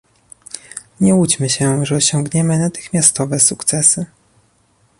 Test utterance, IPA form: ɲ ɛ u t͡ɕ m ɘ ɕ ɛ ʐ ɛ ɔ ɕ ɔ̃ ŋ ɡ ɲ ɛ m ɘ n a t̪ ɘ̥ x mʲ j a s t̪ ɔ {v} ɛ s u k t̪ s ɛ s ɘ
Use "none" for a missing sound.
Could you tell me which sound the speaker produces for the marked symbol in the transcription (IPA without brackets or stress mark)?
v